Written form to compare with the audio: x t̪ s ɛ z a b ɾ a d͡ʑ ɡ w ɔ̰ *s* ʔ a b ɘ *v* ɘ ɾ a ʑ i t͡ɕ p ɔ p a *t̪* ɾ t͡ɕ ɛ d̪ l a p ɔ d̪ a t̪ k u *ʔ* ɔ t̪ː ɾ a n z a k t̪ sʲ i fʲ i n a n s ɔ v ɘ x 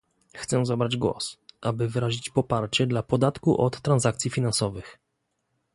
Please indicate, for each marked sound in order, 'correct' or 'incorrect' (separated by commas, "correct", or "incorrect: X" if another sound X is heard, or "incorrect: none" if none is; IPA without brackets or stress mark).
correct, correct, incorrect: none, correct